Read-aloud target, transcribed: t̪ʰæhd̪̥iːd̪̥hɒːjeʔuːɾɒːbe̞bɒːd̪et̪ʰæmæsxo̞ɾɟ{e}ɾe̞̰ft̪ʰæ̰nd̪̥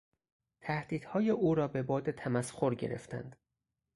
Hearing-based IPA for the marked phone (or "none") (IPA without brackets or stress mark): e